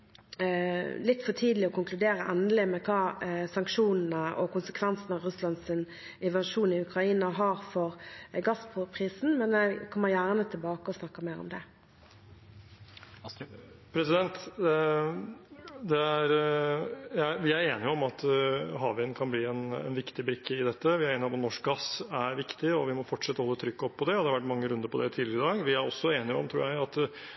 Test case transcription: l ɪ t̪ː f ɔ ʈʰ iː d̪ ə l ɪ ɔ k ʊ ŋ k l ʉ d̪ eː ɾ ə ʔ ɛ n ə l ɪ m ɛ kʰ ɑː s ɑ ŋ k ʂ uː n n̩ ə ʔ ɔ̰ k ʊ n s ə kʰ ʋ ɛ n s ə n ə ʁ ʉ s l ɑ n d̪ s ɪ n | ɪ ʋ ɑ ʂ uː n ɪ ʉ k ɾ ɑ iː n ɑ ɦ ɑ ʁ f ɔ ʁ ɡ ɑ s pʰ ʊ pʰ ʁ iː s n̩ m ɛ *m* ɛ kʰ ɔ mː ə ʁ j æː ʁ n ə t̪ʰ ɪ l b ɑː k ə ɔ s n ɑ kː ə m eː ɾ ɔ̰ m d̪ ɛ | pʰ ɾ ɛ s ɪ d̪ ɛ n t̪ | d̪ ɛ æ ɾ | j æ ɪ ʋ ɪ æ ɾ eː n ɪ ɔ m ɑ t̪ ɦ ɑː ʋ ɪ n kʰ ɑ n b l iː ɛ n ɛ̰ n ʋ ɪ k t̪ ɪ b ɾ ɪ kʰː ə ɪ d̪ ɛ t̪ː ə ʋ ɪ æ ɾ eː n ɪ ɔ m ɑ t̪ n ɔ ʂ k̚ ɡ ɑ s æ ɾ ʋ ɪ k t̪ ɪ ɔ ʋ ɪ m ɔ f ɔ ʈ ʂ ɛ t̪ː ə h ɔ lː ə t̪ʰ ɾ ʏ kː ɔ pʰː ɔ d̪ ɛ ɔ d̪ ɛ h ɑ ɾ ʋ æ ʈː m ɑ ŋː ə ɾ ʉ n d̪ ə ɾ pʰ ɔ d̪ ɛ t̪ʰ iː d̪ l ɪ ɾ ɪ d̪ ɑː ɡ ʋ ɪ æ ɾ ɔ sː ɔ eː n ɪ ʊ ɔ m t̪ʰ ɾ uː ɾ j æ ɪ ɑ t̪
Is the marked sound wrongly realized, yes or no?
yes